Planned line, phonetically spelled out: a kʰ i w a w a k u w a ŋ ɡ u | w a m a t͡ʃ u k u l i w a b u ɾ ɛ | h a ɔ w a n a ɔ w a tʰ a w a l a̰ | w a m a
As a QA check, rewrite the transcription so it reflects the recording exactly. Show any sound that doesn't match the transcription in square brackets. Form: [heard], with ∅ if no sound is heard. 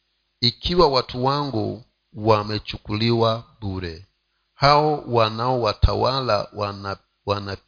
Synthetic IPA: [i] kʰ i w a w a [t] u w a ŋ ɡ u | w a m [ɛ] t͡ʃ u k u l i w a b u ɾ ɛ | h a ɔ w a n a ɔ w a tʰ a w a l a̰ | w a [n] a